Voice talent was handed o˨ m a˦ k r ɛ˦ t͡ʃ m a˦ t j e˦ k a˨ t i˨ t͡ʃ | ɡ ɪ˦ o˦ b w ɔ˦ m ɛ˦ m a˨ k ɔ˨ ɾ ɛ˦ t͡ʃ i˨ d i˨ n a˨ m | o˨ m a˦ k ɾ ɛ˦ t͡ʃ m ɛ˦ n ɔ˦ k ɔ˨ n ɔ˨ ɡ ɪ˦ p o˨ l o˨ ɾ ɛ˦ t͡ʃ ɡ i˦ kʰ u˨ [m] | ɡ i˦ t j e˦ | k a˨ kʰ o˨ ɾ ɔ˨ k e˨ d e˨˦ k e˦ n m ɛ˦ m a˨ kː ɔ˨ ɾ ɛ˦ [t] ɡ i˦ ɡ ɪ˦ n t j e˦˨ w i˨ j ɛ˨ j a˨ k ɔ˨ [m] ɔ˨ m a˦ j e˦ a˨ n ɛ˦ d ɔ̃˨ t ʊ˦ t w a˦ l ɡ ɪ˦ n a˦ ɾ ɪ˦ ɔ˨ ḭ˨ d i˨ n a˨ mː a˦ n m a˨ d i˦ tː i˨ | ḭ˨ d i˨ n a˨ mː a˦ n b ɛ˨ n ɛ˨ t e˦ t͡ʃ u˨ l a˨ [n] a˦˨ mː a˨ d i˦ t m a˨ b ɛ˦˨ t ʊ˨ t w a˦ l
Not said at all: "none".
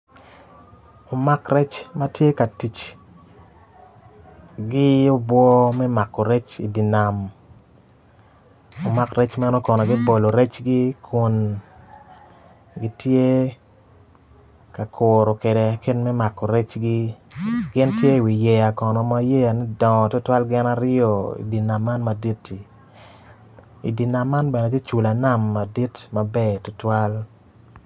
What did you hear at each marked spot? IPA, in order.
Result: n, t͡ʃ, n, n

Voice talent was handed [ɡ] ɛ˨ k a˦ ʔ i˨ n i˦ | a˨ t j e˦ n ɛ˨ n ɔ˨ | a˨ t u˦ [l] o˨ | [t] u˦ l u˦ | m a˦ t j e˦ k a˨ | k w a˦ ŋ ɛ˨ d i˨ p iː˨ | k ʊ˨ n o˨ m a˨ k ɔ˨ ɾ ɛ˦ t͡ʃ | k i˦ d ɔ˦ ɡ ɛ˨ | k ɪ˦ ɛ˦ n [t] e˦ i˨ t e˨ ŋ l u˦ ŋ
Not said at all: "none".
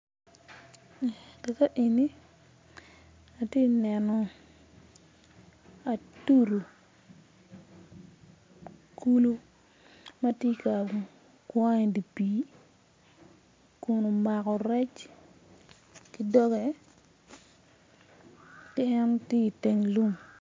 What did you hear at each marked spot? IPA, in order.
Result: k, ɾ, k, t

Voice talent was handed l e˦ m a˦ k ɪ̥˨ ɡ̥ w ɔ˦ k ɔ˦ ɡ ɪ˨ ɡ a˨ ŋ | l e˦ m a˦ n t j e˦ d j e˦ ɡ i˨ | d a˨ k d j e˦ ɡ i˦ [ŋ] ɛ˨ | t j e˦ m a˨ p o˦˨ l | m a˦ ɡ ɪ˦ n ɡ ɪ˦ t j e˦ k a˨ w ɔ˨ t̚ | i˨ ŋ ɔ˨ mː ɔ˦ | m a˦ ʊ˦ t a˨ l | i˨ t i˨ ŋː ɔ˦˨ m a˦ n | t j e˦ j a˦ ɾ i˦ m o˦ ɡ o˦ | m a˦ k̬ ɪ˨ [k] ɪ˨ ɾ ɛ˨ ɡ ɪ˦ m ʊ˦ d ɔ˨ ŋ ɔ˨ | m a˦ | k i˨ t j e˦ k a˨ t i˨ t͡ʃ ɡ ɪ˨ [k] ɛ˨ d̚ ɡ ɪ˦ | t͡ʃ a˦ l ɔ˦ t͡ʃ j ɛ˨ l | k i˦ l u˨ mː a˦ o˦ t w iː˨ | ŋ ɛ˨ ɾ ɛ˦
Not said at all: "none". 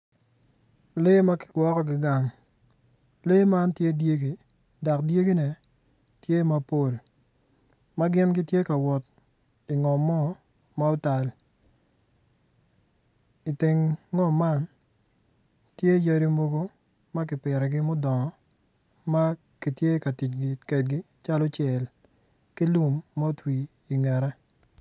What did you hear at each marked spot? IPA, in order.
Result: n, p, k

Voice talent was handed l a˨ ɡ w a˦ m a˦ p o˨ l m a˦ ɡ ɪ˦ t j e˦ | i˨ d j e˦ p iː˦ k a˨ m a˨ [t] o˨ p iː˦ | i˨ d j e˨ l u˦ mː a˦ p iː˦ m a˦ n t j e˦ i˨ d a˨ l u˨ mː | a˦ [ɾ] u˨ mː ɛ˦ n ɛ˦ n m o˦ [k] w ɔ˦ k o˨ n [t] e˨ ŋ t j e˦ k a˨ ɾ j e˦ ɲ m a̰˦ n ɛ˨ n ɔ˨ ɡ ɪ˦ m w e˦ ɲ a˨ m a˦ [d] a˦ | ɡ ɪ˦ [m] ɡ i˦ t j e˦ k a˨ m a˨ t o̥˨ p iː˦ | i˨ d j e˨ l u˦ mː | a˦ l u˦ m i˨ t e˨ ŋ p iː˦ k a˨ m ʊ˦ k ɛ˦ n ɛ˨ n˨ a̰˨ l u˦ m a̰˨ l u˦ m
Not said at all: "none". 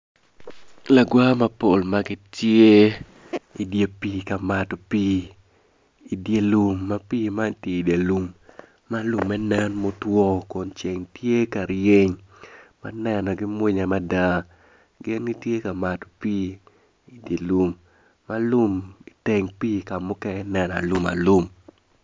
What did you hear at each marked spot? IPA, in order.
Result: t, l, t, t͡ʃ, d, n

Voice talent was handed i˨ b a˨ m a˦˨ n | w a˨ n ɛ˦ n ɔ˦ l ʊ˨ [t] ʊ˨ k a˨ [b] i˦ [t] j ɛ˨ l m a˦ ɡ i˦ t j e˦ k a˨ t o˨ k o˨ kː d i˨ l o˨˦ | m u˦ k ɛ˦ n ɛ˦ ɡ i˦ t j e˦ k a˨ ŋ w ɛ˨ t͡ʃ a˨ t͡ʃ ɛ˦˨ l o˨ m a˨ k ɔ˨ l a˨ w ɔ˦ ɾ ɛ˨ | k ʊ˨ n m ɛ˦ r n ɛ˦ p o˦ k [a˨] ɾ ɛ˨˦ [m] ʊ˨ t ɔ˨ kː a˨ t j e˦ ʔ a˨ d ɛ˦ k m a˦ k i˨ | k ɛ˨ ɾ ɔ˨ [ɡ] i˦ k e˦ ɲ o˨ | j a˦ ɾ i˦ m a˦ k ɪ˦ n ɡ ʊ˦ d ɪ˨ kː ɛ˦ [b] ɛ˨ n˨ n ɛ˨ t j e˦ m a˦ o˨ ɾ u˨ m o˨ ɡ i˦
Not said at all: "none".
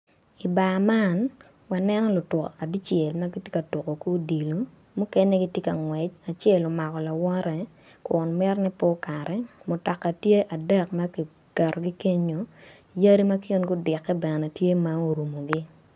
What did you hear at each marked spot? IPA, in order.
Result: t, b, t͡ʃ, a˨, m, ɡ, b

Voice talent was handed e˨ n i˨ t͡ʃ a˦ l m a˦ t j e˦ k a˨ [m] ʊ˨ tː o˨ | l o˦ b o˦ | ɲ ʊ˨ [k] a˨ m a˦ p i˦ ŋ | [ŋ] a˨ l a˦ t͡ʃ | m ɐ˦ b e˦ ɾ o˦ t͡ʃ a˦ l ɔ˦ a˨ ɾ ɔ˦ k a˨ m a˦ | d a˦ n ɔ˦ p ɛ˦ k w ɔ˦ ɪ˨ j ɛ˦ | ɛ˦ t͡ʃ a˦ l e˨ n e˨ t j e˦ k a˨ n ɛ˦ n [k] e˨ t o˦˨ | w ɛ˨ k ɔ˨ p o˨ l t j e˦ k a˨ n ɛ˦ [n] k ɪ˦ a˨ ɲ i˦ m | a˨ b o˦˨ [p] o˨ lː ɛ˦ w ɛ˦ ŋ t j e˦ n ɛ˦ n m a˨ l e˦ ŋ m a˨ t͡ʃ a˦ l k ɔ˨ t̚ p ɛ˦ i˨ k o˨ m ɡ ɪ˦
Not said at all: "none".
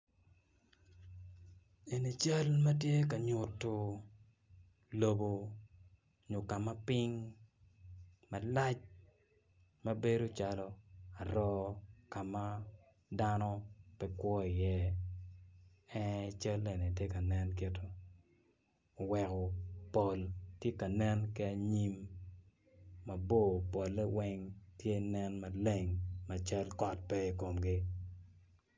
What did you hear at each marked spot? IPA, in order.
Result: ɲ, k, m, k, n, p

